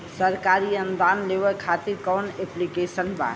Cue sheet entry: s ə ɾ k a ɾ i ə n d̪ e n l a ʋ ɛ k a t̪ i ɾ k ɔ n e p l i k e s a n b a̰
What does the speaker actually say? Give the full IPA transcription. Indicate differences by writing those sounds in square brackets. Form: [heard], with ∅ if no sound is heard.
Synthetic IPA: s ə ɾ k a ɾ i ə n d̪ [a] n l [e] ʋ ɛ [kʰ] a t̪ i ɾ k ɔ n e p l i k e s [ə] n b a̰